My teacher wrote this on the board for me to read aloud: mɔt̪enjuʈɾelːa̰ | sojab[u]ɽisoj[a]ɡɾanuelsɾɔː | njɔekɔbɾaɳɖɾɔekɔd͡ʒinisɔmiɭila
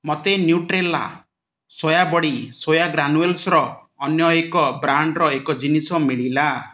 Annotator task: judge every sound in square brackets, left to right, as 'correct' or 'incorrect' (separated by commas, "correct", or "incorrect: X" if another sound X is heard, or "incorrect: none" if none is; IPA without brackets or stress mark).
incorrect: ɔ, correct